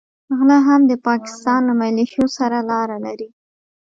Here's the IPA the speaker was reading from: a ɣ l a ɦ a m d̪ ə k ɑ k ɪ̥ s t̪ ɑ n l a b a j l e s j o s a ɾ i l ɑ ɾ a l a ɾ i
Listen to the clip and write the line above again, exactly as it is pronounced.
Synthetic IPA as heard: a ɣ l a ɦ a m d̪ ə p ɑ k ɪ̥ s t̪ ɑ n l a m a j l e ʃ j o s a ɾ a l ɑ ɾ a l a ɾ i

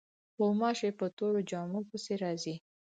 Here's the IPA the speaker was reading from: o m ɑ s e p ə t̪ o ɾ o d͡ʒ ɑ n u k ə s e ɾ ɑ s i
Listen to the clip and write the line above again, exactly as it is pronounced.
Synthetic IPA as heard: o m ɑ ʃ e p ə t̪ o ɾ o d͡ʒ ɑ m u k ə s e ɾ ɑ z i

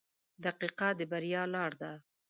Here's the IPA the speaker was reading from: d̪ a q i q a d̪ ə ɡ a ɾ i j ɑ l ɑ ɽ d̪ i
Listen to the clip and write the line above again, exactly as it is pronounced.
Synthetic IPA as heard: d̪ a q i q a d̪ ə b a ɾ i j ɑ l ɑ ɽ d̪ a

